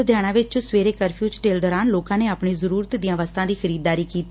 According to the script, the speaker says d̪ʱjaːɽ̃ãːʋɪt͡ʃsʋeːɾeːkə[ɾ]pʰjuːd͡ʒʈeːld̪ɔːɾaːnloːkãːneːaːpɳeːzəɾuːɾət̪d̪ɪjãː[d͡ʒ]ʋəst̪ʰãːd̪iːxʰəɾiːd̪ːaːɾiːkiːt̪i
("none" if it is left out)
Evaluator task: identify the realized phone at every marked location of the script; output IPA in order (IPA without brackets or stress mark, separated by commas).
ɾ, none